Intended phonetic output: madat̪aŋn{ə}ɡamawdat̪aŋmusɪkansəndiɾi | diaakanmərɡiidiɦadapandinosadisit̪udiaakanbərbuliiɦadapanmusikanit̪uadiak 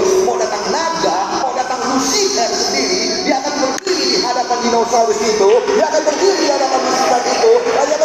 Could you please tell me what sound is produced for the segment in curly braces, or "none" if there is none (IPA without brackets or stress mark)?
a